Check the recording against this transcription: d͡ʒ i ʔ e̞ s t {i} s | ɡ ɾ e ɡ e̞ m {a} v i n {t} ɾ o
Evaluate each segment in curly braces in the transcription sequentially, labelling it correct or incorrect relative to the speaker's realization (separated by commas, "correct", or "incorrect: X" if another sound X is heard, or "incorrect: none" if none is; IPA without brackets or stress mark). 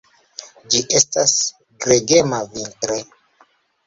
incorrect: a, correct, correct